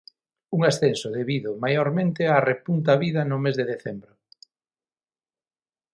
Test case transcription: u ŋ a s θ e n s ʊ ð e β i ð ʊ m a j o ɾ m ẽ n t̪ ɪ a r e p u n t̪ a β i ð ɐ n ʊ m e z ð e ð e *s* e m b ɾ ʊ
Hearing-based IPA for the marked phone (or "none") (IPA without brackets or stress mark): θ